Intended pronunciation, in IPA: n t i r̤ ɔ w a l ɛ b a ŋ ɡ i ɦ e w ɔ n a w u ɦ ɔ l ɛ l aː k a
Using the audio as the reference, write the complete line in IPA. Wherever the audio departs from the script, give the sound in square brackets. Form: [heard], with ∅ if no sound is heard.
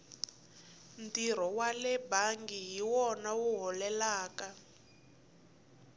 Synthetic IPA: n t i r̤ ɔ w a l ɛ b a ŋ ɡ i ɦ [i] w ɔ n a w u ɦ ɔ l ɛ l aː k a